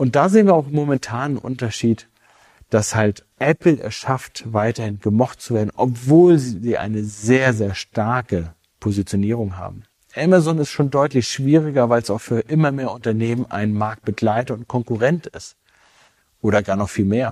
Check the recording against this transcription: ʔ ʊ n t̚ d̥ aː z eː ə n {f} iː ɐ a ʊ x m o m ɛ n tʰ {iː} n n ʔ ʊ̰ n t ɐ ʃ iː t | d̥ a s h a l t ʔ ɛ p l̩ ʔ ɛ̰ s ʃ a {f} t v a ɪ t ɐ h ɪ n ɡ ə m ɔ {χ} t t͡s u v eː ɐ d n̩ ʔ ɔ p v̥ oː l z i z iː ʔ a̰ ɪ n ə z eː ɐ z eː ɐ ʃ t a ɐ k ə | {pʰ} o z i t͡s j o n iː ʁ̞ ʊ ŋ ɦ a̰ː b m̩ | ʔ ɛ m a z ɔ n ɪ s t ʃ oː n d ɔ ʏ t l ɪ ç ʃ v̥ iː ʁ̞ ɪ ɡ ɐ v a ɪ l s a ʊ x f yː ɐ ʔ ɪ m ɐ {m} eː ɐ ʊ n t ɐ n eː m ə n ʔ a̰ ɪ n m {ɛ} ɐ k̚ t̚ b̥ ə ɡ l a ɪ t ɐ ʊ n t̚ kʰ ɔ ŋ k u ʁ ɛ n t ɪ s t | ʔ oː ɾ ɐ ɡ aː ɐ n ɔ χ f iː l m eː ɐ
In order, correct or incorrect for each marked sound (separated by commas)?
incorrect, incorrect, correct, correct, correct, correct, incorrect